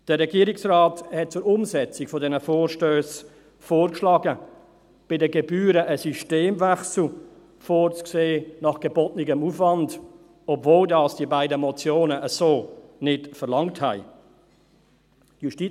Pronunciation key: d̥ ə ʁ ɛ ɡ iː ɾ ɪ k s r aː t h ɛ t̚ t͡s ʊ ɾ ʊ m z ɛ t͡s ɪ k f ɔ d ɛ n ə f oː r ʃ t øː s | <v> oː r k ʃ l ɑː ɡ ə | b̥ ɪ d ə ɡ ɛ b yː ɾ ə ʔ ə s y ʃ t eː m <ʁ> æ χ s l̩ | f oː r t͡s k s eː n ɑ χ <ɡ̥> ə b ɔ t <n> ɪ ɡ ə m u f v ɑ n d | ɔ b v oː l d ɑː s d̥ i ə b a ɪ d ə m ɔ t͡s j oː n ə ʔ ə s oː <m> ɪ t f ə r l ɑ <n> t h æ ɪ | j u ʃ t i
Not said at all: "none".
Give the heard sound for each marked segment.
f, v, ɡ̥, n, n, ŋ

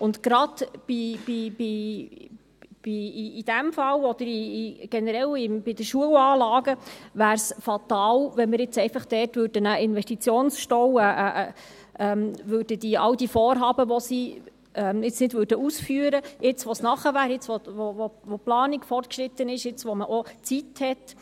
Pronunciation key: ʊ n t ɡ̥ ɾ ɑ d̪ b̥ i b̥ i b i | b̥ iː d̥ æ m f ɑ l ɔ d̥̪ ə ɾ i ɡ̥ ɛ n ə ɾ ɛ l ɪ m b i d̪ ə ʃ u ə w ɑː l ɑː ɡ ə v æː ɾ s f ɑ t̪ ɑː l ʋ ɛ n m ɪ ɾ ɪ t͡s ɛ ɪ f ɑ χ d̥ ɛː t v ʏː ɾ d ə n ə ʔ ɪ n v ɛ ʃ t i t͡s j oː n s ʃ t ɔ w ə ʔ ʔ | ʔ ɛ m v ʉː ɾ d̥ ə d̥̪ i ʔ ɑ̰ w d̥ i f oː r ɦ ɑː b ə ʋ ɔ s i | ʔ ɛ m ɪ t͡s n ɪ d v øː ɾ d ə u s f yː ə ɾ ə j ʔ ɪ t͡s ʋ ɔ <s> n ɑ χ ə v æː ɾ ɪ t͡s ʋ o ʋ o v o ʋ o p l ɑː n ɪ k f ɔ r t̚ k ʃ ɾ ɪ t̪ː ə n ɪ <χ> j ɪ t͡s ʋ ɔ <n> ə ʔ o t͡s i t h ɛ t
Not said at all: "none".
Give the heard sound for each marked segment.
s, ʃ, m

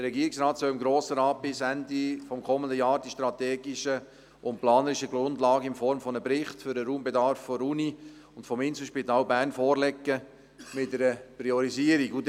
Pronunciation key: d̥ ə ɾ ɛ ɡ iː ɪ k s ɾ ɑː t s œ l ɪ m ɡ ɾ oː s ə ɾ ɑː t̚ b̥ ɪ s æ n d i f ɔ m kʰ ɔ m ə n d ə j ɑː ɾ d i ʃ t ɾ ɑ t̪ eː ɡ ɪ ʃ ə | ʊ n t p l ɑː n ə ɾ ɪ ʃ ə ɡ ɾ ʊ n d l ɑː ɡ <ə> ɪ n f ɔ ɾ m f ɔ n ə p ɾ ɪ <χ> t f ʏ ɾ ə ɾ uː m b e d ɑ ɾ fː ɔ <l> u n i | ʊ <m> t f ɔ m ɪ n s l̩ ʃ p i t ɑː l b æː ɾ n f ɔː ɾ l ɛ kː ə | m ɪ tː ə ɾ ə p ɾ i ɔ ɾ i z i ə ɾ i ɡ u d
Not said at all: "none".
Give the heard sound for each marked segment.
ə, χ, ɾ, n

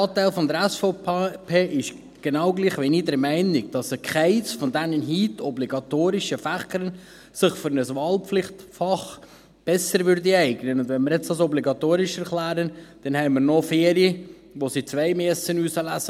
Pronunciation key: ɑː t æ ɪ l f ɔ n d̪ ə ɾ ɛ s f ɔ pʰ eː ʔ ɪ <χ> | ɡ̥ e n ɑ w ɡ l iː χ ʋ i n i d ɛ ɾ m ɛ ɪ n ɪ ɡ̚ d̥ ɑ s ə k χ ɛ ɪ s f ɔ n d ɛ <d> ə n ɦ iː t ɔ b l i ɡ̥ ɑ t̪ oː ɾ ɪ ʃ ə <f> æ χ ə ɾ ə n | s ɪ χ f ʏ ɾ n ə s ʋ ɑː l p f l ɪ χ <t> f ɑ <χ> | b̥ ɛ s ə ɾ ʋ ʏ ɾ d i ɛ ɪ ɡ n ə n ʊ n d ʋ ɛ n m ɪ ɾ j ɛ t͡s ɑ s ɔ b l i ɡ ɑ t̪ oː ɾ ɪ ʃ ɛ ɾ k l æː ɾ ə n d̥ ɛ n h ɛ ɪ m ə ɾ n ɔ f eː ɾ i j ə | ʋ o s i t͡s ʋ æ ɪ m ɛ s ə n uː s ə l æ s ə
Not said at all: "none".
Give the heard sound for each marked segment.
ʃ, n, f, t, χ

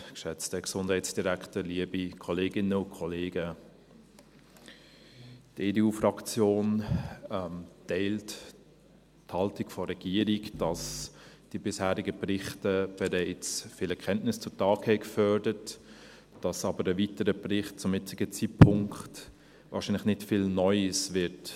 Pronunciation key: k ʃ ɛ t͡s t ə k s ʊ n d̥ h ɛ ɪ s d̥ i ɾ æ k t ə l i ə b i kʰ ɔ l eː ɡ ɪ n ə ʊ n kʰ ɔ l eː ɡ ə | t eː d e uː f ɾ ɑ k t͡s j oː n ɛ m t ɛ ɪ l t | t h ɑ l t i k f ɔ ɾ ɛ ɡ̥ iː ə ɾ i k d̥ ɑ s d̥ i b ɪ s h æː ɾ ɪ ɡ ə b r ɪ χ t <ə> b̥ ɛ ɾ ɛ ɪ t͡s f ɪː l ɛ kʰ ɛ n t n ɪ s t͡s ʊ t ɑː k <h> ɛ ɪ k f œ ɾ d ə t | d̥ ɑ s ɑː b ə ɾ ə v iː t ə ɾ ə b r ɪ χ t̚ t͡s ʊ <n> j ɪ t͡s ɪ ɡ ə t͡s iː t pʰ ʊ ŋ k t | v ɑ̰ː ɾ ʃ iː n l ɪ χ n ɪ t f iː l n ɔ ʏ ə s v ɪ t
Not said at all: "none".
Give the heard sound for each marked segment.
ə, h, m

